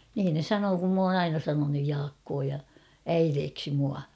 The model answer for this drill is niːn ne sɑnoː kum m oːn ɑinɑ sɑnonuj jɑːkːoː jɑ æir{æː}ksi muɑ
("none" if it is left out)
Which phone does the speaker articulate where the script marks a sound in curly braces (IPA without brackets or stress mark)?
eː